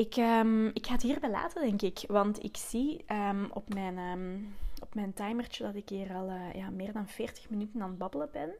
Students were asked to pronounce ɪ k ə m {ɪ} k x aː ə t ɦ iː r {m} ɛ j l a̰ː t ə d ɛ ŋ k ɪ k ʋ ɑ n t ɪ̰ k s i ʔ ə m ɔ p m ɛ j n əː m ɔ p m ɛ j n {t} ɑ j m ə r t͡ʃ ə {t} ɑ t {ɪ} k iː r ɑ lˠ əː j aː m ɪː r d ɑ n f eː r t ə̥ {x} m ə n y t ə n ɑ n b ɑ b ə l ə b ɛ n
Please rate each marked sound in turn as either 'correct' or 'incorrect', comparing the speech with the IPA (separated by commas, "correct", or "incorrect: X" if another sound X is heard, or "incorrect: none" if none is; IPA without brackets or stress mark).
correct, incorrect: b, correct, incorrect: d, correct, correct